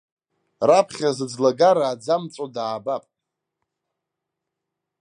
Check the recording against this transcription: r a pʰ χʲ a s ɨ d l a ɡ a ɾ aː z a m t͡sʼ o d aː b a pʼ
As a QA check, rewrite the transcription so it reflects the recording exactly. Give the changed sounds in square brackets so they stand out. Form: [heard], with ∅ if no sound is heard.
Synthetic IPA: r a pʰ χʲ a [z] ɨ [d͡z] l a ɡ a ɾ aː [d͡z] a m t͡sʼ o d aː b a pʼ